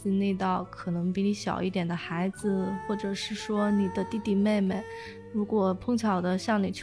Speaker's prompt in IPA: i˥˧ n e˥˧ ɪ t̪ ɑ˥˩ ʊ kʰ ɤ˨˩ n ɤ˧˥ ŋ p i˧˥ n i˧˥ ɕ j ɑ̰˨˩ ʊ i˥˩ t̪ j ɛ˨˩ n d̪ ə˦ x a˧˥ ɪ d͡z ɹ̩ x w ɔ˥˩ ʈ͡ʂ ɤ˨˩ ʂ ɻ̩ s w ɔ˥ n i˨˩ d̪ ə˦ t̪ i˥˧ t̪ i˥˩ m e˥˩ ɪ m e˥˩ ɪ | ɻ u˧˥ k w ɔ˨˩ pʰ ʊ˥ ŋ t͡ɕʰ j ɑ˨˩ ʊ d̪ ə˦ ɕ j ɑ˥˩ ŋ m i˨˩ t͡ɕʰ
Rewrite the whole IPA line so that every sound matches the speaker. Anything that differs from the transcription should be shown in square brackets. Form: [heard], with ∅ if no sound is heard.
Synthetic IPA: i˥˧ n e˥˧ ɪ t̪ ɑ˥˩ ʊ kʰ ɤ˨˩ n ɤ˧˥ ŋ p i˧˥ n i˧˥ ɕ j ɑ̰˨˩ ʊ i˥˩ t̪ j ɛ˨˩ n d̪ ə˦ x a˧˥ ɪ d͡z ɹ̩ x w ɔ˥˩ ʈ͡ʂ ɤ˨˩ ʂ ɻ̩ [ʂ] w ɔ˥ n i˨˩ d̪ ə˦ t̪ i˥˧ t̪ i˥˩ m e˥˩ ɪ m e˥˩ ɪ | ɻ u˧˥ k w ɔ˨˩ pʰ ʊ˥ ŋ t͡ɕʰ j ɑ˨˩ ʊ d̪ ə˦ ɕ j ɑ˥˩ ŋ [n] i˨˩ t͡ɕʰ